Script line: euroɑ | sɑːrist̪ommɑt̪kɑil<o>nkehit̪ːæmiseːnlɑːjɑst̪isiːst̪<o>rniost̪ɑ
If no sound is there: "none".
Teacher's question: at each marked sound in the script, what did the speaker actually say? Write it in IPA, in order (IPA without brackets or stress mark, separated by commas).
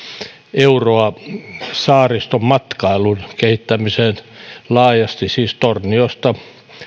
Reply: u, o